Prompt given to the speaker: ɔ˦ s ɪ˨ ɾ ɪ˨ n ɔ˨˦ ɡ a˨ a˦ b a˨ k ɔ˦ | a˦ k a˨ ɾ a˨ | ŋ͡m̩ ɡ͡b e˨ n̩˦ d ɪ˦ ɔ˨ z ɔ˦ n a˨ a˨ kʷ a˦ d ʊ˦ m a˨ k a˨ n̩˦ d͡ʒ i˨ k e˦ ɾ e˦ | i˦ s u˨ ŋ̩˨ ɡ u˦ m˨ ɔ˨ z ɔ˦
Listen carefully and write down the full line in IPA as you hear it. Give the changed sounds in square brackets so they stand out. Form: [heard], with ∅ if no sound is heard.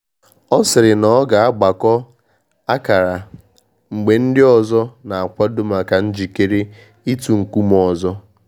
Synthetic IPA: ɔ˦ s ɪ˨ ɾ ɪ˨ n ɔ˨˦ ɡ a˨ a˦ [ɡ͡b] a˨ k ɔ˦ | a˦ k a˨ ɾ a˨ | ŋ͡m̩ ɡ͡b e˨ n̩˦ d ɪ˦ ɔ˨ z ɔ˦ n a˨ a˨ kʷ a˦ d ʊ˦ m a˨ k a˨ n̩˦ d͡ʒ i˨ k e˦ ɾ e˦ | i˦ [t] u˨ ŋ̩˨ [k] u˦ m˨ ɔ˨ z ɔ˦